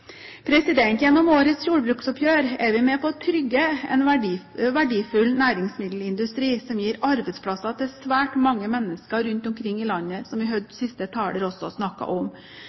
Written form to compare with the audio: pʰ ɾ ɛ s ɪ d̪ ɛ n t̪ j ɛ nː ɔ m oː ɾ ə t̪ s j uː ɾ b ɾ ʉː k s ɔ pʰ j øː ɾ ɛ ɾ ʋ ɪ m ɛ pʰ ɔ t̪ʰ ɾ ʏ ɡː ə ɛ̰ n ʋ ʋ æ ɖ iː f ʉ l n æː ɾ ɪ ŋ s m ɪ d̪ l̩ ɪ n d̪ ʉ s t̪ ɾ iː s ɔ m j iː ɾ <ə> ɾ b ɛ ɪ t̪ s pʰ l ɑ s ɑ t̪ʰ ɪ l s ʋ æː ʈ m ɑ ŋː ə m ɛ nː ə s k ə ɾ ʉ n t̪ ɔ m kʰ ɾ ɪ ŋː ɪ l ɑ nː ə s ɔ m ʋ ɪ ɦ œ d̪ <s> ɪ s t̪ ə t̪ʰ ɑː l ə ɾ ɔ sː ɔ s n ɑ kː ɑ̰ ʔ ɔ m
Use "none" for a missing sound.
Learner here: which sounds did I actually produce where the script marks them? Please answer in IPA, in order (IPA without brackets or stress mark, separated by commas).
ɑ, s